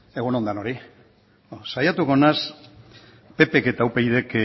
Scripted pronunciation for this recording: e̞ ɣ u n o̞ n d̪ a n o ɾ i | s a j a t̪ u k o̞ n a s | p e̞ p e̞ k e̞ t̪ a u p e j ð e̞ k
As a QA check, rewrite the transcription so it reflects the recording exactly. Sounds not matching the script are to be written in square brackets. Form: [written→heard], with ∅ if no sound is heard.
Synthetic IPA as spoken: e̞ ɣ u n o̞ n d̪ a n o ɾ i | s a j a t̪ u k o̞ n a s | p e̞ p e̞ k e̞ t̪ a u p e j ð e̞ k